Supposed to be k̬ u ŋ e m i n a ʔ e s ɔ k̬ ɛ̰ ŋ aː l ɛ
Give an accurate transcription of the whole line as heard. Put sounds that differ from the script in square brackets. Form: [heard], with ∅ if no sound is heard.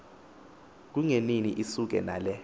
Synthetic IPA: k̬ u ŋ e [n] i n [i] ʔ [i] s [u] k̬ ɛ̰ [n] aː l ɛ